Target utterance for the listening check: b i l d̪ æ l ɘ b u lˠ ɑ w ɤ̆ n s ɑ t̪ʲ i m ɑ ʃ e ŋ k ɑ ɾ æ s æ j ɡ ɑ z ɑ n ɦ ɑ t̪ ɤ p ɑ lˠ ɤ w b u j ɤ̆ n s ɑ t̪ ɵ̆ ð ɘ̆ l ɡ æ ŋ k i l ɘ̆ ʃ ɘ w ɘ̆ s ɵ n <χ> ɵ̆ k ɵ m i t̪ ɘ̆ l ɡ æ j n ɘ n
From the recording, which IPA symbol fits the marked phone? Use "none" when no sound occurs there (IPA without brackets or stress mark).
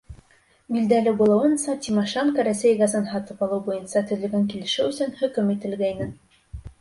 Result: h